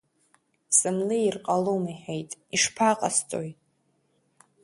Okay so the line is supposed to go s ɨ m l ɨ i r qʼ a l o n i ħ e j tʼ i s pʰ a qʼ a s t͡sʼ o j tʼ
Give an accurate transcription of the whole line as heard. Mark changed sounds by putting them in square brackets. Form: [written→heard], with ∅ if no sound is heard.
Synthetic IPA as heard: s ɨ m l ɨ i r qʼ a l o [n→m] i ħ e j tʼ i [s→ʂ] pʰ a qʼ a s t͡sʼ o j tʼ